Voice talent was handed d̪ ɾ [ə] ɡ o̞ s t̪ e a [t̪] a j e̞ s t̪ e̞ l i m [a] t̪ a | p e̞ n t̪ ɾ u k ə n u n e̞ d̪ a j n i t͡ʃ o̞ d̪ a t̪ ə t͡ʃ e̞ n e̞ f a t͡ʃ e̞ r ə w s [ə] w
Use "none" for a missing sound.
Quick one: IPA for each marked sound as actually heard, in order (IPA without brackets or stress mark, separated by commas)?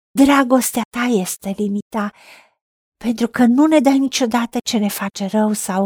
a, t̪, i, a